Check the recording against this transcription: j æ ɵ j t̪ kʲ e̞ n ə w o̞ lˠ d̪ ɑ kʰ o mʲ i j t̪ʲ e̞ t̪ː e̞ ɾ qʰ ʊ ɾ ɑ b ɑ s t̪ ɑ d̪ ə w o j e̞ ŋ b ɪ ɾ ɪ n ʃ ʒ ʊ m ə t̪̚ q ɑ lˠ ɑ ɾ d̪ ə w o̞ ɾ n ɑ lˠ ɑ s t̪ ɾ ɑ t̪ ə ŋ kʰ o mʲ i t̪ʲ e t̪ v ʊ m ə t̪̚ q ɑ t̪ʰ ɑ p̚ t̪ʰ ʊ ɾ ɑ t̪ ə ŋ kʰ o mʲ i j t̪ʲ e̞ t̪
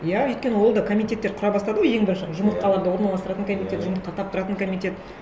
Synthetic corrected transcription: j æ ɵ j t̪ kʲ e̞ n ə w o̞ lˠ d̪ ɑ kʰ o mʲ i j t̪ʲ e̞ t̪ː e̞ ɾ qʰ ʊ ɾ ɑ b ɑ s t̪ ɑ d̪ ə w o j e̞ ŋ b ɪ ɾ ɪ n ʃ ʒ ʊ m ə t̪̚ q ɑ lˠ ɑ ɾ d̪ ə w o̞ ɾ n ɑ lˠ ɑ s t̪ ɾ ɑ t̪ ə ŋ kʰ o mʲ i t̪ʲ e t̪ ʒ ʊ m ə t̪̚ q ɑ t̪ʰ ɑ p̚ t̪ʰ ʊ ɾ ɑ t̪ ə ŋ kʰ o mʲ i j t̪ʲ e̞ t̪